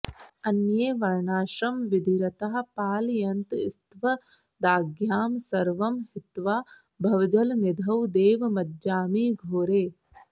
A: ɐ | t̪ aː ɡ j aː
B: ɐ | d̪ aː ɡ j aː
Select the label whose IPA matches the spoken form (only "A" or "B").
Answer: B